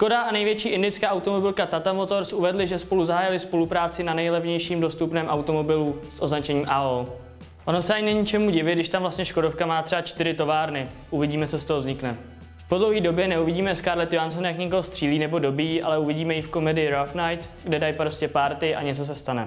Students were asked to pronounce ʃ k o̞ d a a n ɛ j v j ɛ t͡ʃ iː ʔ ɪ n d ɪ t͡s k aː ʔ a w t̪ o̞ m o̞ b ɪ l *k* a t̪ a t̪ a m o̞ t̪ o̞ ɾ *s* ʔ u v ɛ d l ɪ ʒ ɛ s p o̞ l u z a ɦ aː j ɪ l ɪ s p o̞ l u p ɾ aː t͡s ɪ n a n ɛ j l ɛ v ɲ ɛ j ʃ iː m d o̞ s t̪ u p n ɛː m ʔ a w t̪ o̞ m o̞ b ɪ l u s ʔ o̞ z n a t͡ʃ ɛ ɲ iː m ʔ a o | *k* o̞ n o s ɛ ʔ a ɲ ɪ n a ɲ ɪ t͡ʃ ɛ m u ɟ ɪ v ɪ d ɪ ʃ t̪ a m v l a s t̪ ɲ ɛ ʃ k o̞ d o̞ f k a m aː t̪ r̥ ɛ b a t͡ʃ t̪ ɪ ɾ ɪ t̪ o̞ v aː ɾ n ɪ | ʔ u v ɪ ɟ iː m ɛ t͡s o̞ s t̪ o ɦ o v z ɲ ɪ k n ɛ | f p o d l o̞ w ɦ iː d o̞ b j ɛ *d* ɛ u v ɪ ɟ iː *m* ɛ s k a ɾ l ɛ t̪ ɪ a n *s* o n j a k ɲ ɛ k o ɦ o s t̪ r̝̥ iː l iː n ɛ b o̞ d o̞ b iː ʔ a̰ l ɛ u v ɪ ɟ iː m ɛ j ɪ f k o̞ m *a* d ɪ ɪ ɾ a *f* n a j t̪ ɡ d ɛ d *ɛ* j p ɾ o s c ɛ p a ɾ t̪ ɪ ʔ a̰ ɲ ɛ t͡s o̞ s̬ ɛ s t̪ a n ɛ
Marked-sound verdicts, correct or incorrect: correct, correct, incorrect: ʔ, incorrect: n, correct, correct, incorrect: ɛ, correct, incorrect: a

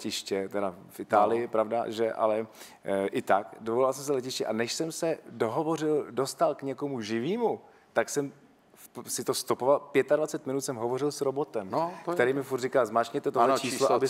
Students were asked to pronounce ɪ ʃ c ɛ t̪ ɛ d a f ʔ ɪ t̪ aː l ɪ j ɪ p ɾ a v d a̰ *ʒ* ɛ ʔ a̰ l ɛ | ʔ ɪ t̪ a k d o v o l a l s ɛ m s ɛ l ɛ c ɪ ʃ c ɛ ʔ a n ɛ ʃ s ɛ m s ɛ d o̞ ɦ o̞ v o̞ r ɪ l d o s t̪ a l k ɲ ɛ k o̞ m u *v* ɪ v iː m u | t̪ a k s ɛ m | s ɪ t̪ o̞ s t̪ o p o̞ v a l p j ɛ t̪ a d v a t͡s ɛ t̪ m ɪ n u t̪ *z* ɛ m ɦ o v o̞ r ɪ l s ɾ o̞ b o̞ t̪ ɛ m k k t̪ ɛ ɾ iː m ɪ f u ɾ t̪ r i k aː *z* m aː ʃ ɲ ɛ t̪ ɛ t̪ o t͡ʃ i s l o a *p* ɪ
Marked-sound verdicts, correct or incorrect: correct, incorrect: ʒ, incorrect: s, correct, incorrect: b

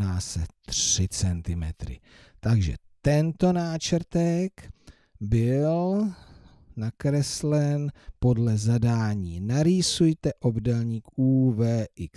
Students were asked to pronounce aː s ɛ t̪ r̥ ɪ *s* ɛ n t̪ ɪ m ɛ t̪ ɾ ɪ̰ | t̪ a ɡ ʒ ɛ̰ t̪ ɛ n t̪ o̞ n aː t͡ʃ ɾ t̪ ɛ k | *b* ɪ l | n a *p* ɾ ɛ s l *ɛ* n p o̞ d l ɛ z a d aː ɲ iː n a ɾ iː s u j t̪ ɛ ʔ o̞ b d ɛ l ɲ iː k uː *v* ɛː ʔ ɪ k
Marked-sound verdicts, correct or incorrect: incorrect: t͡s, correct, incorrect: k, correct, correct

